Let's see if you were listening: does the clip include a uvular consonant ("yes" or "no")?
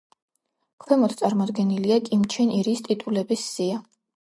no